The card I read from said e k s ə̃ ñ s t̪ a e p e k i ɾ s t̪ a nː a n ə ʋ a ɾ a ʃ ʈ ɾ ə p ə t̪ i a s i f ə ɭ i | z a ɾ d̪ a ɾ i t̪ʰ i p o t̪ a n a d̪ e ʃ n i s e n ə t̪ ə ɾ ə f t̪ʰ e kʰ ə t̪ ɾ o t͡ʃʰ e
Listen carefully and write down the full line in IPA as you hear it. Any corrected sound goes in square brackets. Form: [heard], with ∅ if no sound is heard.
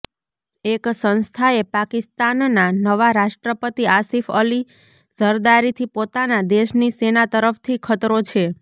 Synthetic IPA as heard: e k s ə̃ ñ s [t̪ʰ] a e p [a] k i [∅] s t̪ a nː a n ə ʋ a ɾ a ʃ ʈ ɾ ə p ə t̪ i a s i f ə [l] i | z [ə] ɾ d̪ a ɾ i t̪ʰ i p o t̪ a n a d̪ e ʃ n i s e n [a] t̪ ə ɾ ə f t̪ʰ [i] kʰ ə t̪ ɾ o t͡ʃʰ e

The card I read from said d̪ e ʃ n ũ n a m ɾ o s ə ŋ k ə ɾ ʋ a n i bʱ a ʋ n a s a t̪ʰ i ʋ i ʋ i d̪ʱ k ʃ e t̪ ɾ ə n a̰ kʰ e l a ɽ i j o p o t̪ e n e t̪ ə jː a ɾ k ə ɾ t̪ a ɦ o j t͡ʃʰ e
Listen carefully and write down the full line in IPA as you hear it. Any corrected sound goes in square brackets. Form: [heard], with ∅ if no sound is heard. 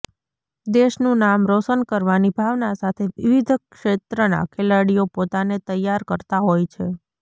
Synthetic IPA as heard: d̪ e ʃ n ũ n a m ɾ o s ə [n] k ə ɾ ʋ a n i bʱ a ʋ n a s a t̪ʰ [e] ʋ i ʋ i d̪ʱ k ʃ e t̪ ɾ ə n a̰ kʰ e l a ɽ i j o p o t̪ [a] n e t̪ ə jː a ɾ k ə ɾ t̪ a ɦ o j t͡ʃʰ e

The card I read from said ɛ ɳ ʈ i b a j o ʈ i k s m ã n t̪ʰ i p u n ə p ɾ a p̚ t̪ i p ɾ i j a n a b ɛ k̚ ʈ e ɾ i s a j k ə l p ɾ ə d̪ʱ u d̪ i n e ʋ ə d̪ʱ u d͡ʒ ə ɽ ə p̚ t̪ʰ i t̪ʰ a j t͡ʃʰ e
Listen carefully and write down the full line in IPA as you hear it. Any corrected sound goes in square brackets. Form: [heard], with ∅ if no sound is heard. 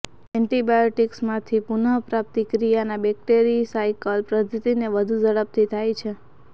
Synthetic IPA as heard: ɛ ɳ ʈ i b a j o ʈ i k s m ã [∅] t̪ʰ i p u n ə p ɾ a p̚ t̪ i [k] ɾ i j a n a b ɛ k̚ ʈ e ɾ i s a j k ə l p ɾ ə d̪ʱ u [t̪] i n e ʋ ə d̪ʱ u d͡ʒ ə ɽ ə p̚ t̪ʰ i t̪ʰ a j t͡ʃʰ e

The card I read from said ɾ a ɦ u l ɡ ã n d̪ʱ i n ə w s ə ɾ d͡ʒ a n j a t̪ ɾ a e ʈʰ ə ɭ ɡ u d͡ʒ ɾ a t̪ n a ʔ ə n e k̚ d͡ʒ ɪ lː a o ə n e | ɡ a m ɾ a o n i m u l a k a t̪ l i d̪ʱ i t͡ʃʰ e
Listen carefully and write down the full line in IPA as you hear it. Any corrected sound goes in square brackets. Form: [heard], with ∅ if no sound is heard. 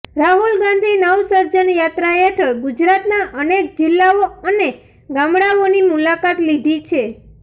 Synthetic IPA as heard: ɾ a ɦ u l ɡ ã n d̪ʱ i n ə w s ə ɾ d͡ʒ [ə] n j a t̪ ɾ a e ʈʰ ə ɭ ɡ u d͡ʒ ɾ a t̪ n a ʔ ə n e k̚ d͡ʒ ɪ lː a o ə n e | ɡ a m [ɽ] a o n i m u l a k a t̪ l i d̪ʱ i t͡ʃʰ e

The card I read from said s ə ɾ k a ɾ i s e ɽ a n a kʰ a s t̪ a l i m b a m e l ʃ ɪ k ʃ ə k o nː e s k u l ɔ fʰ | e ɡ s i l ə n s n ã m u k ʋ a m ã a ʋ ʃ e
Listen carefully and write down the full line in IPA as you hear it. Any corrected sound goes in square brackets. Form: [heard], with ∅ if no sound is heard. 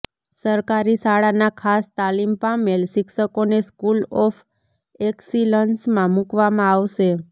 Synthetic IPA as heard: s ə ɾ k a ɾ i s [a] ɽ a n a kʰ a s t̪ a l i m [p] a m e l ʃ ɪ k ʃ ə k o [n] e s k u l ɔ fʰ | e [k] s i l ə n s [m] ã m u k ʋ a m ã a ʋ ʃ e

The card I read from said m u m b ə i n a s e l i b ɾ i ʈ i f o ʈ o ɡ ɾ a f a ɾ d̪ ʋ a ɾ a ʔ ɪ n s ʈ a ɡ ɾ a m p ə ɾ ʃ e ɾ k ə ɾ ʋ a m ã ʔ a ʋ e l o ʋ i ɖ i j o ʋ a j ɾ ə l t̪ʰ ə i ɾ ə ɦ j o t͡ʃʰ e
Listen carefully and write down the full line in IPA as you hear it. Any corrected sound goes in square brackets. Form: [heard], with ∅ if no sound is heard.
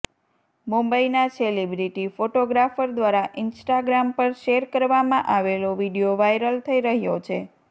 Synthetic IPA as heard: m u m b ə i n a s e l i b ɾ i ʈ i f o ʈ o ɡ ɾ a f [ə] ɾ d̪ ʋ a ɾ a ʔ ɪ n s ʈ a ɡ ɾ a m p ə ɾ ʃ e ɾ k ə ɾ ʋ a m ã ʔ a ʋ e l o ʋ i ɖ i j o ʋ a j ɾ ə l t̪ʰ ə i ɾ ə ɦ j o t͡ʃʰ e

